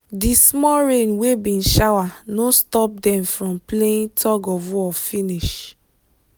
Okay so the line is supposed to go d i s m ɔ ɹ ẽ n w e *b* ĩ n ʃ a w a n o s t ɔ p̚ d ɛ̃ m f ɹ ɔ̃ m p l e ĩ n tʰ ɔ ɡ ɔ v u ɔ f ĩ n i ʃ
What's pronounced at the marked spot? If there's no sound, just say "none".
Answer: b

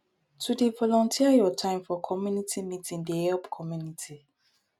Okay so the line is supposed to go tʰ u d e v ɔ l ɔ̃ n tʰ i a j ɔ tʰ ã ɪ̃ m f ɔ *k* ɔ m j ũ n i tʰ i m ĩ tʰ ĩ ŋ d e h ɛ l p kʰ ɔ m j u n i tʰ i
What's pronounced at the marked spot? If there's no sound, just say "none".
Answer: kʰ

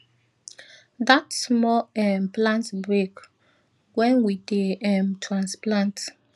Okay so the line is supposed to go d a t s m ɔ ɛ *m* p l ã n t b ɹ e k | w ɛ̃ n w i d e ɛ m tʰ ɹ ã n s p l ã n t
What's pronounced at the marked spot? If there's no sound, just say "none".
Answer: m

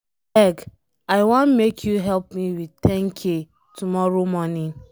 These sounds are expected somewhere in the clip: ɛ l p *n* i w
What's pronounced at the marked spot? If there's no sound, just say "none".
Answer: m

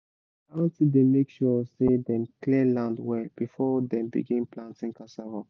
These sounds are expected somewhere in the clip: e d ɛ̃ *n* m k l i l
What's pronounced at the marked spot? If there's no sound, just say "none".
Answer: none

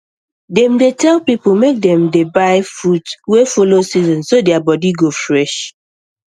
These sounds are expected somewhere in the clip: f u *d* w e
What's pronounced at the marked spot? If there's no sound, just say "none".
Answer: t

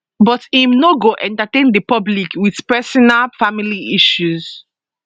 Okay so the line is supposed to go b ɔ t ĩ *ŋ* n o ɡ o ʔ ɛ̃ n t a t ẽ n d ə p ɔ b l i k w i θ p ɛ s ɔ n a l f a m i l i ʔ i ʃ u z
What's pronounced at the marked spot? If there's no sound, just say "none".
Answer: m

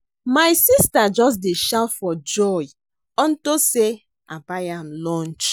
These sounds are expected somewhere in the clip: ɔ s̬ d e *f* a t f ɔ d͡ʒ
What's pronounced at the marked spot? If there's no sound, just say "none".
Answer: ʃ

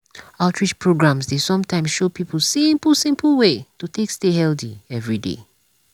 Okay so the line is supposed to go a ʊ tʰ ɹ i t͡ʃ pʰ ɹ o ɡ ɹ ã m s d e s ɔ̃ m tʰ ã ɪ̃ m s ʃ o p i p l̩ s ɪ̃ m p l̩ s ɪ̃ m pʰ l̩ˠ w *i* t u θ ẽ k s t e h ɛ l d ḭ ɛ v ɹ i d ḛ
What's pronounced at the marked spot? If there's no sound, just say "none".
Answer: e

